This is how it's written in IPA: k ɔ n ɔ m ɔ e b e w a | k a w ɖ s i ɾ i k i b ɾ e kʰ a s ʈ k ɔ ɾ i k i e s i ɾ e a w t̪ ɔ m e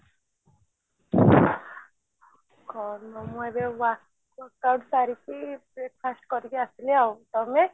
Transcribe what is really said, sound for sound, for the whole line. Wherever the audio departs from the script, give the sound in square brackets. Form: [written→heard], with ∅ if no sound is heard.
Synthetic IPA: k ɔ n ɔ m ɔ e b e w a | k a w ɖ s [i→a] ɾ i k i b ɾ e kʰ a s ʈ k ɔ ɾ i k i [e→a] s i [ɾ→l] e a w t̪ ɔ m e